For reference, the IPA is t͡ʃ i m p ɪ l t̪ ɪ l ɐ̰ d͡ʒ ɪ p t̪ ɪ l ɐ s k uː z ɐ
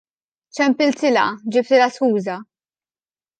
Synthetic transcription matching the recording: t͡ʃ ɛ m p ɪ l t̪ ɪ l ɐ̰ d͡ʒ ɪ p t̪ ɪ l ɐ s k uː z ɐ